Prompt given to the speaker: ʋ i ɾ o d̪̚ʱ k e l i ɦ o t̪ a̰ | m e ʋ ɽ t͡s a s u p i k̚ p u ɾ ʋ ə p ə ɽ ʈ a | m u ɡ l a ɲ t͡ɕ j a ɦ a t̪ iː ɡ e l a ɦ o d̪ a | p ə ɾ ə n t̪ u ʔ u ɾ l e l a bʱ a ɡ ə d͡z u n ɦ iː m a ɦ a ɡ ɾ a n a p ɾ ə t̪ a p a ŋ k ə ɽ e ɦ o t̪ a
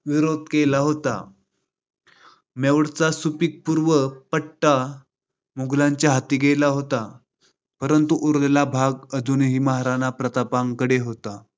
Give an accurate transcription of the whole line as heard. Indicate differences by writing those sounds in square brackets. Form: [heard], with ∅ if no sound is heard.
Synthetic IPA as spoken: ʋ i ɾ o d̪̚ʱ k e l [a] ɦ o t̪ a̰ | m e ʋ ɽ t͡s a s u p i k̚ p u ɾ ʋ ə p ə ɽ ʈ a | m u ɡ l a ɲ t͡ɕ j a ɦ a t̪ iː ɡ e l a ɦ o [t̪] a | p ə ɾ ə n t̪ u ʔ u ɾ l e l a bʱ a ɡ ə d͡z u n ɦ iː m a ɦ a [∅] ɾ a n a p ɾ ə t̪ a p a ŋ k ə ɽ e ɦ o t̪ a